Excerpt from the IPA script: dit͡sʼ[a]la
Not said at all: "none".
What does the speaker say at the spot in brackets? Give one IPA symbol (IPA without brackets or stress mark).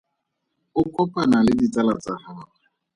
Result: a